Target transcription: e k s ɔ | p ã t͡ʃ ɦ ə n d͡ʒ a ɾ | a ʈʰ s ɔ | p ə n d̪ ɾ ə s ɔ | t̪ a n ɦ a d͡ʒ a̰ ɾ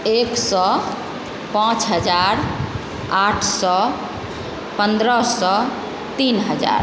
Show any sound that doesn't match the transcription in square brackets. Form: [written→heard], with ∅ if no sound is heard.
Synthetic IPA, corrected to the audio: e k s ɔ | p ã t͡ʃ ɦ ə [n→∅] d͡ʒ a ɾ | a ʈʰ s ɔ | p ə n d̪ ɾ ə s ɔ | t̪ [a→i] n ɦ [a→ə] d͡ʒ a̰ ɾ